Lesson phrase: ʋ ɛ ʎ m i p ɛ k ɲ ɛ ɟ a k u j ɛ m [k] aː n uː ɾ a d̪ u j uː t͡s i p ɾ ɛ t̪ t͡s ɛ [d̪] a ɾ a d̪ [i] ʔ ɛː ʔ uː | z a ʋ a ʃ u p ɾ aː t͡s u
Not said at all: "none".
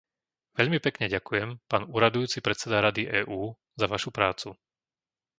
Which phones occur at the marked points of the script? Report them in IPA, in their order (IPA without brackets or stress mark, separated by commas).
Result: p, d̪, i